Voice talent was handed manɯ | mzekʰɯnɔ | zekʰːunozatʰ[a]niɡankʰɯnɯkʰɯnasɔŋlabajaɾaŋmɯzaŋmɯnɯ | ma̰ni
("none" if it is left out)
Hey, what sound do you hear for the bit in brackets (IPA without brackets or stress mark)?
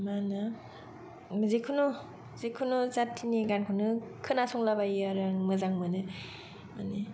i